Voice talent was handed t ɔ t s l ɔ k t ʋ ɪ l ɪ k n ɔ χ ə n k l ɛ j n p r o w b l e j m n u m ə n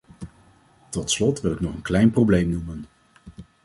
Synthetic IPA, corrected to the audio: t ɔ t s l ɔ t ʋ ɪ l ɪ k n ɔ χ ə n k l ɛ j n p r o w b l e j m n u m ə n